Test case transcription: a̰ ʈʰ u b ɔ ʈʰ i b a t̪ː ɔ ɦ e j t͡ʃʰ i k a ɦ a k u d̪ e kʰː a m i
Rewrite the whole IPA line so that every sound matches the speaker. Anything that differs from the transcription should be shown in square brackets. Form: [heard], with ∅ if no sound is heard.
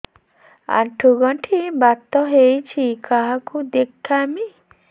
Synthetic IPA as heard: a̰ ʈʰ u [ɡ] ɔ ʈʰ i b a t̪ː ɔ ɦ e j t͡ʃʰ i k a ɦ a k u d̪ e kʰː a m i